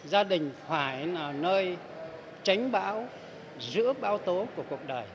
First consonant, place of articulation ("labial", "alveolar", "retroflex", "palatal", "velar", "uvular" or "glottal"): alveolar